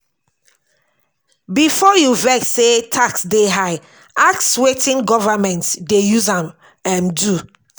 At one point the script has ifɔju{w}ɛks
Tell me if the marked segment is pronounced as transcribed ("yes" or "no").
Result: no